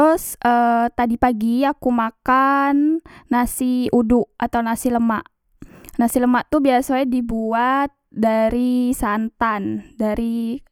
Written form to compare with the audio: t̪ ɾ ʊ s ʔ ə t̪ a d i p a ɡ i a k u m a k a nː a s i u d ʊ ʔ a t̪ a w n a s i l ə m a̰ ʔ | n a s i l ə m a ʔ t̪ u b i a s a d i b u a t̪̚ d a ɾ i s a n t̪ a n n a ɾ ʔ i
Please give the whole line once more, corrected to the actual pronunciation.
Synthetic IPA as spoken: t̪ ɾ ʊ s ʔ ə t̪ a d i p a ɡ i a k u m a k a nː a s i u d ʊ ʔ a t̪ a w n a s i l ə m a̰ ʔ | n a s i l ə m a ʔ t̪ u b i a s a d i b u a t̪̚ d a ɾ i s a n t̪ a n d a ɾ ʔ i

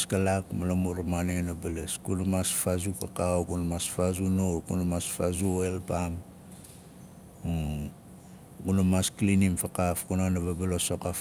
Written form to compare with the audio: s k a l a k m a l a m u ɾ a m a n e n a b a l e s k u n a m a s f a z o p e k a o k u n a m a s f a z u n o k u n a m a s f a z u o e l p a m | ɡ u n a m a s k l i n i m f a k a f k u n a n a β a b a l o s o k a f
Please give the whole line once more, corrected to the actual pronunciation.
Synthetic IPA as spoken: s k a l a k m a l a m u ɾ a m a n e n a b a l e s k u n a m a s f a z u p a k a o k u n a m a s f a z u n o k u n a m a s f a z u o e l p a m | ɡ u n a m a s k l i n i m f a k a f k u n a n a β a b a l o s o k a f

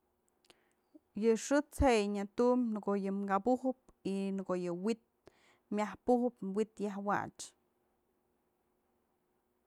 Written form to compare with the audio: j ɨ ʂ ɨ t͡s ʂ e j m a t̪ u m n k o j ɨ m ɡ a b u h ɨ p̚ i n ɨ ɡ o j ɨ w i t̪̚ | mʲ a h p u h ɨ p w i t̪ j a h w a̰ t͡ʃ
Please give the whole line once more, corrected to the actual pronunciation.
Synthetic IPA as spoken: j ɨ ʂ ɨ t͡s h e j ɲ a t̪ u m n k o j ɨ m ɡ a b u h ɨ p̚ i n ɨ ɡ o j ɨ w i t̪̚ | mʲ a h p u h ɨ p w i t̪ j a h w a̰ t͡ʃ

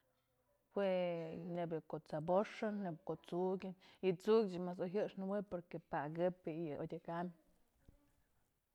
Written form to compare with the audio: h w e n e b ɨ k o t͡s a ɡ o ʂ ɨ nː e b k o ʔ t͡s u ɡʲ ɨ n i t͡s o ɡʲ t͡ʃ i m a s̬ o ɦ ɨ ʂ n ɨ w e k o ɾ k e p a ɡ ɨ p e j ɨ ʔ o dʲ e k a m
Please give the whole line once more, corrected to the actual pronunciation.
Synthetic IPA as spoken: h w e n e b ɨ k o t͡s a b o ʂ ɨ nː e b k o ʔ t͡s u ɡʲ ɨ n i t͡s u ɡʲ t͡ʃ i m a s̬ o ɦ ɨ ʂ n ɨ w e p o ɾ k e p a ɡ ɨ p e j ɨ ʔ o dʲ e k a m

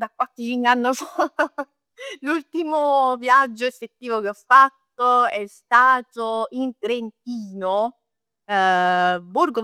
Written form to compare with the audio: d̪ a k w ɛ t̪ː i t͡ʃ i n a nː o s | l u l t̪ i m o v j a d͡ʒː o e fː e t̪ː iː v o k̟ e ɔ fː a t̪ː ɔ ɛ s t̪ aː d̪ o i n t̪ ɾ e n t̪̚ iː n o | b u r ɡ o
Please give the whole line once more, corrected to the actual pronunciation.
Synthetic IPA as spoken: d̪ a k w a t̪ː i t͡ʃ i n a nː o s | l u l t̪ i m o v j a d͡ʒː o e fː e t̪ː iː v o k̟ e ɔ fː a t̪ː o ɛ s t̪ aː t̪ o i n t̪ ɾ e n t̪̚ iː n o | b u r ɡ o

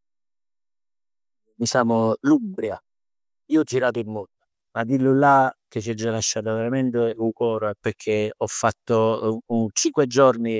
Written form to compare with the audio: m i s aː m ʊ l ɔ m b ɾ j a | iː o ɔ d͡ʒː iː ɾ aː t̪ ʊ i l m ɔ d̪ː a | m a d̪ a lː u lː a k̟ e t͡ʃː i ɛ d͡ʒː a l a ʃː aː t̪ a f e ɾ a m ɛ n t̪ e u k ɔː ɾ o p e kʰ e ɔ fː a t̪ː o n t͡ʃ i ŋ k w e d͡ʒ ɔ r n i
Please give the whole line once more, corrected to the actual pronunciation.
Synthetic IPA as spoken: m i s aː m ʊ l u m b ɾ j a | iː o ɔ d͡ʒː i ɾ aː t̪ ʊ i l m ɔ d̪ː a | m a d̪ i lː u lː a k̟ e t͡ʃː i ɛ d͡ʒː a l a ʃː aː t̪ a v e ɾ a m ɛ n t̪ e u k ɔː ɾ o p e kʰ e ɔ fː a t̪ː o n t͡ʃ i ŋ k w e d͡ʒ ɔ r n i

